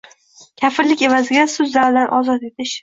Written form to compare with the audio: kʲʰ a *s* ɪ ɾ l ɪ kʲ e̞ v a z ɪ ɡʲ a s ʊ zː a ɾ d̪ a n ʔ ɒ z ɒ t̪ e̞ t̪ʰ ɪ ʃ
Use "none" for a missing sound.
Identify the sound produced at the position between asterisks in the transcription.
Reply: f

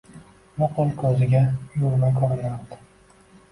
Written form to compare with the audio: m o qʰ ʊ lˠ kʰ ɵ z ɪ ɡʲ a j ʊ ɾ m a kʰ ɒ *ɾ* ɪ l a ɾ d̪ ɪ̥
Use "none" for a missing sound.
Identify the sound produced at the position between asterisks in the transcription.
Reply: ɾ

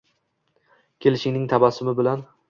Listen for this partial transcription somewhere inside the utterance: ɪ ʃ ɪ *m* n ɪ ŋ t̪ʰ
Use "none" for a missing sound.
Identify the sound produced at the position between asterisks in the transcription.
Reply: ŋ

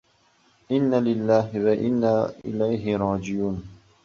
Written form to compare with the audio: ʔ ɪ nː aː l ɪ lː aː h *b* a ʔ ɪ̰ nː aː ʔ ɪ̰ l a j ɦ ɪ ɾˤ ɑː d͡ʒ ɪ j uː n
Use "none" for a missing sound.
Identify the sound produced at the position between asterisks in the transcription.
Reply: w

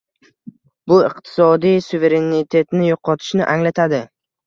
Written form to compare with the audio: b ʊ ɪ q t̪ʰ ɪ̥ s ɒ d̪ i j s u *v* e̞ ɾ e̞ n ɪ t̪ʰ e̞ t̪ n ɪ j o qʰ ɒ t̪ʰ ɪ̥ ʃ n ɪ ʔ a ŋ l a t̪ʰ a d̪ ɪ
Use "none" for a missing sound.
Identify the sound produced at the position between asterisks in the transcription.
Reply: v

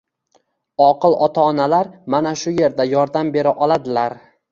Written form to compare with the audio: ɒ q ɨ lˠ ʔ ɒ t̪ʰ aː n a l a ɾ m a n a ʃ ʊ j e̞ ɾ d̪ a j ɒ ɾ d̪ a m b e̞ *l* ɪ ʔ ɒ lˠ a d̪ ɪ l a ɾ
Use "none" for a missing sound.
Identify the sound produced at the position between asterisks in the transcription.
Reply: ɾ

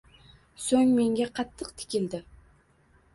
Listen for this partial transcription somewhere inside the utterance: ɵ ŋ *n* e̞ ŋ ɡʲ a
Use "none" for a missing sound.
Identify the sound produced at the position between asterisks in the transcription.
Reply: m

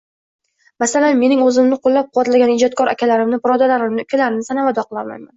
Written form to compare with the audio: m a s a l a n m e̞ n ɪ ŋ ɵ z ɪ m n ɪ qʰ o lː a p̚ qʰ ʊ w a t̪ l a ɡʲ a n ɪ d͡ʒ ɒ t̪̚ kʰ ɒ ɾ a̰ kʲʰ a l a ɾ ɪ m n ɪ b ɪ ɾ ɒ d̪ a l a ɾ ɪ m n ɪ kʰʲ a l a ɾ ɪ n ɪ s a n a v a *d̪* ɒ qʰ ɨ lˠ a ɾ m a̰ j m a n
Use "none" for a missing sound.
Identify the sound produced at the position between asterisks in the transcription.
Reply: d̪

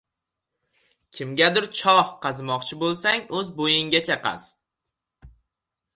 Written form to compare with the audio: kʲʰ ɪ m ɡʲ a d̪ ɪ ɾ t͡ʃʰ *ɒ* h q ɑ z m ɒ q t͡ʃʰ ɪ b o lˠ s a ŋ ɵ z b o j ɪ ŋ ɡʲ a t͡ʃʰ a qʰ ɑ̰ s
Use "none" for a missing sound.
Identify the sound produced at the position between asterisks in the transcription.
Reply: ɒ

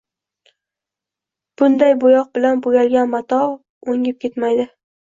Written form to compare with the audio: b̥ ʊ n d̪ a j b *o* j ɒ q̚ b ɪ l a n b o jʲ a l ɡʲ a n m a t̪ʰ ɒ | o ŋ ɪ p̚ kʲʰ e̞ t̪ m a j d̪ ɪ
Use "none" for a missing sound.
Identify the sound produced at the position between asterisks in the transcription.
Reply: o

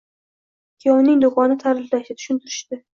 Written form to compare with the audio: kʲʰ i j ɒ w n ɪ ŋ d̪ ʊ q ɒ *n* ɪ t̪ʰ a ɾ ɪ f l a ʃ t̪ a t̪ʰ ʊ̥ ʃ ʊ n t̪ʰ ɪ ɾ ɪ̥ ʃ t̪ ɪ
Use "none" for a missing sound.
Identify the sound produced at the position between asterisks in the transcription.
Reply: n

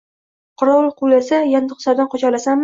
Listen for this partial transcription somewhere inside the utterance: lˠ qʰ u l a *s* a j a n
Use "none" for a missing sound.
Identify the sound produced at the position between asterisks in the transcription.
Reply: s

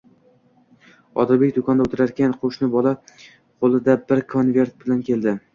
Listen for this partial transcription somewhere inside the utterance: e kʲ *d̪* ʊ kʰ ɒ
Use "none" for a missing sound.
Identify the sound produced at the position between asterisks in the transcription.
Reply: d̪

